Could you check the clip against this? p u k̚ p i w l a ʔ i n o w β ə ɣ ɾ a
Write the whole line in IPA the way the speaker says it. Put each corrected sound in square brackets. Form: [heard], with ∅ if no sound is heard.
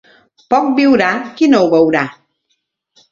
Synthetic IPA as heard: p [ɔ] k̚ [b] i w [ɾ] a [k] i n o w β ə [w] ɾ a